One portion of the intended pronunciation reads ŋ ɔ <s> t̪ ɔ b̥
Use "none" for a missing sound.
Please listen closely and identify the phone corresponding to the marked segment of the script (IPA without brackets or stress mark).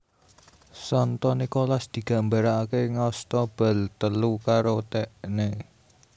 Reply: s